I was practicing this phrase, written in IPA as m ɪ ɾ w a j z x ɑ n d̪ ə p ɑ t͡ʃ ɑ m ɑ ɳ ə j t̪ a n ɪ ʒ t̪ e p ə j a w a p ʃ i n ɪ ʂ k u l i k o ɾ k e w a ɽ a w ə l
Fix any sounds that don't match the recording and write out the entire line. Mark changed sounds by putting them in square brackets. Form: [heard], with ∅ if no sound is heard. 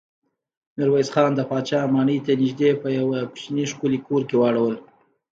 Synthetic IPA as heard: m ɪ ɾ w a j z x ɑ n d̪ ə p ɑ t͡ʃ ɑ m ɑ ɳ ə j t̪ a n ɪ ʒ [d̪] e p ə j a w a p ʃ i n [i] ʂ k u l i k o ɾ k e w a ɽ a w ə l